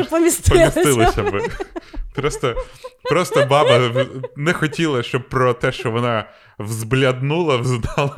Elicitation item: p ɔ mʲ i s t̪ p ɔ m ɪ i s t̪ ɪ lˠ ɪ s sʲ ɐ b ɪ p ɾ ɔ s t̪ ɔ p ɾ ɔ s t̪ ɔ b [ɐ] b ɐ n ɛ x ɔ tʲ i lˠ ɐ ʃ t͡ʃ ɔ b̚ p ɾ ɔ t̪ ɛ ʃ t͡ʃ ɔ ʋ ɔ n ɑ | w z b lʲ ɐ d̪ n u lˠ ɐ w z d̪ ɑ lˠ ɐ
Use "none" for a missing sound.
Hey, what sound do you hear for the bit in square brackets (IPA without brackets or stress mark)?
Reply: ɑ